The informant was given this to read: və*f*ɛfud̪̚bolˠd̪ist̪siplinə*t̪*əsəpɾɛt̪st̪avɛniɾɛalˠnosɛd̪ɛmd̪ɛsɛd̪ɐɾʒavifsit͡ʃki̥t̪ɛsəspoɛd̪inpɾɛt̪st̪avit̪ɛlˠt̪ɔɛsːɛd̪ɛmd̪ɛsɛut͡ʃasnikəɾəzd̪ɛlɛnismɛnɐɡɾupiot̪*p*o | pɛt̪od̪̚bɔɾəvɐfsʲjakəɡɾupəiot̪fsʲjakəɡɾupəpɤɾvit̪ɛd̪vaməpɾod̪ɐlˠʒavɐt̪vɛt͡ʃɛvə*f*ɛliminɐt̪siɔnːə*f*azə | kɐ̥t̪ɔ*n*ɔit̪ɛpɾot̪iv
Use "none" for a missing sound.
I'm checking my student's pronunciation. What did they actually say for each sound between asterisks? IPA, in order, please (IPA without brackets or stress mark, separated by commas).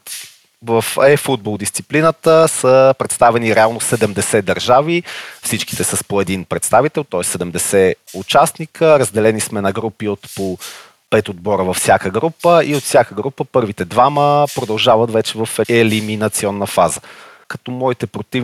f, t̪, p, f, f, m